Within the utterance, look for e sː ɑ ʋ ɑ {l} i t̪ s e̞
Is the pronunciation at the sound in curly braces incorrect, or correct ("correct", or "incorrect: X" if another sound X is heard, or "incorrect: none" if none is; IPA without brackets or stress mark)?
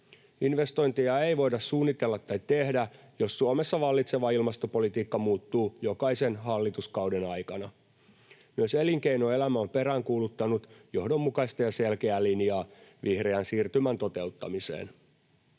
incorrect: lː